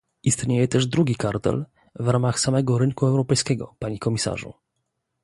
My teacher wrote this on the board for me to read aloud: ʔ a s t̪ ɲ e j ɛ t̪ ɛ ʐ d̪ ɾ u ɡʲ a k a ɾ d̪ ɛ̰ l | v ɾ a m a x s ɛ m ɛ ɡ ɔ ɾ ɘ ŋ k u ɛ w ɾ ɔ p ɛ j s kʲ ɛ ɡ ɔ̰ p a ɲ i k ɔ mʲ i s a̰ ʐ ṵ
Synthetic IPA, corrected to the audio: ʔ i s t̪ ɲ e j ɛ t̪ ɛ ʐ d̪ ɾ u ɡʲ i k a ɾ t̪ ɛ̰ l | v ɾ a m a x s a m ɛ ɡ ɔ ɾ ɘ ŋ k u ɛ w ɾ ɔ p ɛ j s kʲ ɛ ɡ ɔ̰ p a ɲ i k ɔ mʲ i s a̰ ʐ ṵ